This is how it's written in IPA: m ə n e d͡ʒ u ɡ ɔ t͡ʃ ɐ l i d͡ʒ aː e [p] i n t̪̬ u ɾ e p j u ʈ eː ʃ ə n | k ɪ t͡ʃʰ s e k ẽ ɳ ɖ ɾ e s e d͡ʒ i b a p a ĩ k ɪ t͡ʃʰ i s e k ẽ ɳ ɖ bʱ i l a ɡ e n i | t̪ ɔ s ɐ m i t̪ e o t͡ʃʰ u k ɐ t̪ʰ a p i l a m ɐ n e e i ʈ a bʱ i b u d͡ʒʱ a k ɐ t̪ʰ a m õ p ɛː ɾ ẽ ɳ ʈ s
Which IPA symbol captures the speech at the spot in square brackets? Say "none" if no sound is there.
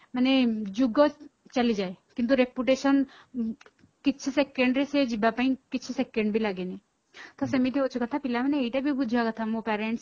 k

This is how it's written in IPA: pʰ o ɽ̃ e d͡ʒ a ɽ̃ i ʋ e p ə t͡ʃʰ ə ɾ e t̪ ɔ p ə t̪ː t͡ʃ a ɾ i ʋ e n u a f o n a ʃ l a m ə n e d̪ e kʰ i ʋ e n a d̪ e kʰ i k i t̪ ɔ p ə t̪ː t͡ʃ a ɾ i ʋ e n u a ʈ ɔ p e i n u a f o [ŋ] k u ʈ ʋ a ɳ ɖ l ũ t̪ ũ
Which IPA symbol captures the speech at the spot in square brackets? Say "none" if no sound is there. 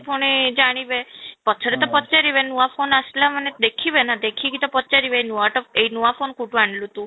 n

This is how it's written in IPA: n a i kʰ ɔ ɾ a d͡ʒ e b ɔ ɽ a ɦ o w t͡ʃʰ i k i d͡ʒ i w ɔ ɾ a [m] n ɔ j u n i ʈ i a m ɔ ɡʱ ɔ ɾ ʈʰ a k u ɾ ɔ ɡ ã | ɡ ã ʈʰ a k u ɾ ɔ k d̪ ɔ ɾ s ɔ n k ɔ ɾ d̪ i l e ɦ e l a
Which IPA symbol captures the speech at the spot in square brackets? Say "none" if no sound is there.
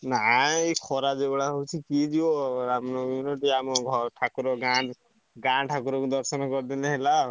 m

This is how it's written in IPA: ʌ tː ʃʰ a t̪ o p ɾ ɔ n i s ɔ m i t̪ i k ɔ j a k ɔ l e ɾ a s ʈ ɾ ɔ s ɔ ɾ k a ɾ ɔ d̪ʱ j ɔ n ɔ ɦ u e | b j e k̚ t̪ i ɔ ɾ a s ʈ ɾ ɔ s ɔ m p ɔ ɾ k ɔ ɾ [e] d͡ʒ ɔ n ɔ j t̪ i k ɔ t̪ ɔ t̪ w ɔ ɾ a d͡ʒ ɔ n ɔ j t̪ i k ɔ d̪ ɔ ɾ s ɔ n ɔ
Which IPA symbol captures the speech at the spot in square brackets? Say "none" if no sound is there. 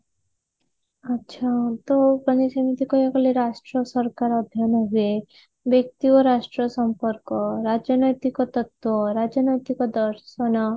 a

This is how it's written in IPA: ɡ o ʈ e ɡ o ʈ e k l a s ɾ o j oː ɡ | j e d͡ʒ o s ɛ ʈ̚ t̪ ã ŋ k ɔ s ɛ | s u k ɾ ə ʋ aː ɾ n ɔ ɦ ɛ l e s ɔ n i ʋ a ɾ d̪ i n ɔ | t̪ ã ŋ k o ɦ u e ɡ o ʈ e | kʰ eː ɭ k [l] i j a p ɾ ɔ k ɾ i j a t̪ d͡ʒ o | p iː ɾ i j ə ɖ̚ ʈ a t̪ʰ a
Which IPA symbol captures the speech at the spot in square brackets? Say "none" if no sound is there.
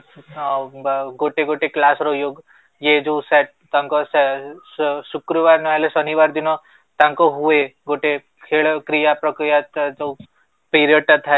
ɾ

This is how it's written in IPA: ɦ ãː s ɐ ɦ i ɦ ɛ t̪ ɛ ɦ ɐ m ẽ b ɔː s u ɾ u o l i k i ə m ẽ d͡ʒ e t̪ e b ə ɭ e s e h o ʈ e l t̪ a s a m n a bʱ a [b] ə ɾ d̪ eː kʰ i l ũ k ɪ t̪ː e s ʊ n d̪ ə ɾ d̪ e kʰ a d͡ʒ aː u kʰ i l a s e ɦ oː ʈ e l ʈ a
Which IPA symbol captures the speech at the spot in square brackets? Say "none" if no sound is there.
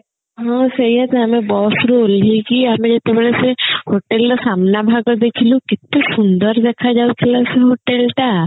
ɡ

